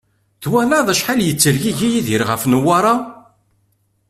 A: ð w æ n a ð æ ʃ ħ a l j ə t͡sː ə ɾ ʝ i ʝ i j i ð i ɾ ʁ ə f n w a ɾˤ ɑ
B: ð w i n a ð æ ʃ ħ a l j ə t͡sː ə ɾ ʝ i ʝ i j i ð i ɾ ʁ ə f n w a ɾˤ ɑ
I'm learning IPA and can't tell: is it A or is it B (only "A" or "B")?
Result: A